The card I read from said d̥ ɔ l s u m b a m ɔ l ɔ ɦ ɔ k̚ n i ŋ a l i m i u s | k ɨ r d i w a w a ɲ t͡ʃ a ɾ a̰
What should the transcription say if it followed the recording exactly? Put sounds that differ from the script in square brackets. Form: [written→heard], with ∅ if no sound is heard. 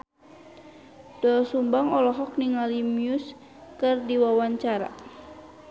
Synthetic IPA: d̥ ɔ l s u m b a [m→ŋ] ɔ l ɔ ɦ ɔ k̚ n i ŋ a l i m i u s | k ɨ r d i w a w a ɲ t͡ʃ a ɾ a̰